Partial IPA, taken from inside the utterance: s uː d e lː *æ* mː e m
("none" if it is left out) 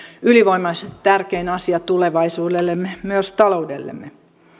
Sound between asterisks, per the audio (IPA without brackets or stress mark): e